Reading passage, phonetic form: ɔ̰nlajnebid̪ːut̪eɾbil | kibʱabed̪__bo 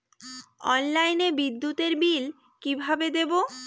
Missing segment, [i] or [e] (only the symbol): e